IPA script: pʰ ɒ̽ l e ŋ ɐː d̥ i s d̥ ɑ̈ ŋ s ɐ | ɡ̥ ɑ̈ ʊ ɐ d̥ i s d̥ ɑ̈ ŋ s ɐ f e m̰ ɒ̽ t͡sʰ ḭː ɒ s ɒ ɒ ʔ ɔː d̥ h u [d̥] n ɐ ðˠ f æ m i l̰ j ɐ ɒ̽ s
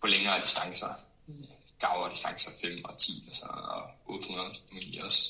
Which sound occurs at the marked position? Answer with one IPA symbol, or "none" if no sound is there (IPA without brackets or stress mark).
none